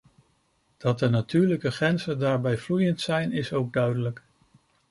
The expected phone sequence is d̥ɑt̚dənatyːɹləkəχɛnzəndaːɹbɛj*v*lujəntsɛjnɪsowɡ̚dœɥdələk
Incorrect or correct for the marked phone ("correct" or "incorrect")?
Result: correct